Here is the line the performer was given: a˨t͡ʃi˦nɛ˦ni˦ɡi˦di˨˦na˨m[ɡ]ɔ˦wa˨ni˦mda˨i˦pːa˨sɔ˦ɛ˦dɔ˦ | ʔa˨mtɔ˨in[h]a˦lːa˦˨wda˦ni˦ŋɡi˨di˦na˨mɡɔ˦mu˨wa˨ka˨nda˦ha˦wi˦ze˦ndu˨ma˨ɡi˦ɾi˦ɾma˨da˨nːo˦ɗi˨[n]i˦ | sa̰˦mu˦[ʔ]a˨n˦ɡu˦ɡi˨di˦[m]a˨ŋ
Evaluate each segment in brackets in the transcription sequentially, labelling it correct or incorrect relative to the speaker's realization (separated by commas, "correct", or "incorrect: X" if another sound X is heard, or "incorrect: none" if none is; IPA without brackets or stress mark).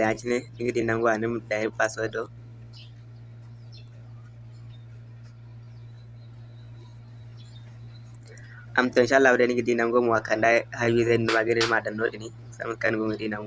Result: correct, incorrect: ʃ, correct, incorrect: k, incorrect: n